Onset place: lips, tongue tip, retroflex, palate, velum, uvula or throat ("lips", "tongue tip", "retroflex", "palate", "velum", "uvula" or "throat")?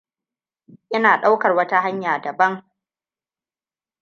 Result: throat